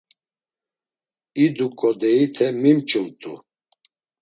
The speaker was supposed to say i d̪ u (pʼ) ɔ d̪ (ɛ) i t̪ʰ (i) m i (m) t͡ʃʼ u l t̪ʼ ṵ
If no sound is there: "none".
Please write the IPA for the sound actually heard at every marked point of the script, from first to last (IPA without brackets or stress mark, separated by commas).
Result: kʼ, ɛ, ɛ, m